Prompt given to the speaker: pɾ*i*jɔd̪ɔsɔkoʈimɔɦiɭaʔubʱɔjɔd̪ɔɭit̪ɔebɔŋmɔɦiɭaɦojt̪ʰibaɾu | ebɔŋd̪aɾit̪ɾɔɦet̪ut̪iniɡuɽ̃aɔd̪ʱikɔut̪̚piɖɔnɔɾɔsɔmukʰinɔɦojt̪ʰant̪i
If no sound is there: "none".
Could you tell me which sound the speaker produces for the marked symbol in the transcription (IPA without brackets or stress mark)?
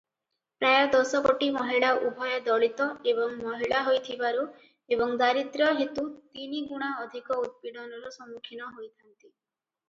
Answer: a